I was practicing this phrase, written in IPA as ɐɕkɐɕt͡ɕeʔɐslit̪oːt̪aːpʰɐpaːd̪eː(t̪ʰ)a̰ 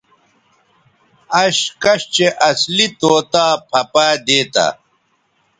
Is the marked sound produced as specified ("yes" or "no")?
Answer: no